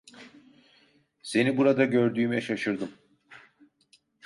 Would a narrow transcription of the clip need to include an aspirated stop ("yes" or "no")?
no